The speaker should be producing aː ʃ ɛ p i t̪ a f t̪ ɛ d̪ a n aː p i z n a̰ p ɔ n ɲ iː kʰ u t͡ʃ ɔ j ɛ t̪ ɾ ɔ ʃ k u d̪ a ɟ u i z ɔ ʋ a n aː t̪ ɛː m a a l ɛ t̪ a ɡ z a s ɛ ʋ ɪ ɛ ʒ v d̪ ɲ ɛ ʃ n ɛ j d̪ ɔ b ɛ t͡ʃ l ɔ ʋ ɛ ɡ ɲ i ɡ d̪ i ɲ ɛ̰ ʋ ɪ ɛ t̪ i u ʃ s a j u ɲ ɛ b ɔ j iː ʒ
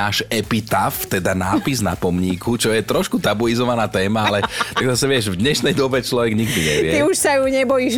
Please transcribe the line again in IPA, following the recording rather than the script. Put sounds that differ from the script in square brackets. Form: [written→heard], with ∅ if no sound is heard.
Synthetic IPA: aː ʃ ɛ p i t̪ a f t̪ ɛ d̪ a n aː p i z n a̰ p ɔ [n→m] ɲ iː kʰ u t͡ʃ ɔ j ɛ t̪ ɾ ɔ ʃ k u [d̪→t̪] a [ɟ→b] u i z ɔ ʋ a n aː t̪ ɛː m a a l ɛ t̪ a ɡ z a s ɛ ʋ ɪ ɛ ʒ v d̪ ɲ ɛ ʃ n ɛ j d̪ ɔ b ɛ t͡ʃ l ɔ ʋ ɛ ɡ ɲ i ɡ d̪ i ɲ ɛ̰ ʋ ɪ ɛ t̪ i u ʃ s a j u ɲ ɛ b ɔ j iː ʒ